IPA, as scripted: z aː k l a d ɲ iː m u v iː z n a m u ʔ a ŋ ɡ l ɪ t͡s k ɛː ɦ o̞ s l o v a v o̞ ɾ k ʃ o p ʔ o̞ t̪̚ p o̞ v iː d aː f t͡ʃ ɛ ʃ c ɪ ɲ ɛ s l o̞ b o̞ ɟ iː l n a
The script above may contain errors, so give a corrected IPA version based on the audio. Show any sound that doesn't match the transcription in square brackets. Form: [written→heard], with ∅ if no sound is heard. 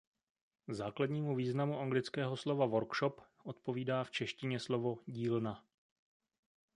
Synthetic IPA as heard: z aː k l a d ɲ iː m u v iː z n a m u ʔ a ŋ ɡ l ɪ t͡s k ɛː ɦ o̞ s l o v a v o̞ ɾ k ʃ o p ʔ o̞ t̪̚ p o̞ v iː d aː f t͡ʃ ɛ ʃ c ɪ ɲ ɛ s l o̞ [b→v] o̞ ɟ iː l n a